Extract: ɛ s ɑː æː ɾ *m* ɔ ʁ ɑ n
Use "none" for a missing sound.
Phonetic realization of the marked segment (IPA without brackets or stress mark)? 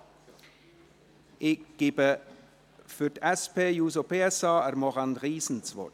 m